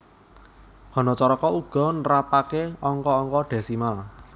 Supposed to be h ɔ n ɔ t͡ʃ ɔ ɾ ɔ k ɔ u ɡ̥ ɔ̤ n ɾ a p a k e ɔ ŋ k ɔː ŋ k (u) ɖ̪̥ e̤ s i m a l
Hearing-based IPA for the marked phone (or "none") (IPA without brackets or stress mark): ɔ